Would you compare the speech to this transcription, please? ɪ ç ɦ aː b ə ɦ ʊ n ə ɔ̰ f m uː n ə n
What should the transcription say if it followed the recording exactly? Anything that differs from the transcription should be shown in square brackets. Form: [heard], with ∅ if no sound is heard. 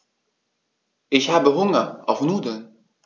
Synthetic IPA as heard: ɪ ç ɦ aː b ə ɦ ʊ [ŋ] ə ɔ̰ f [n] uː [d] ə n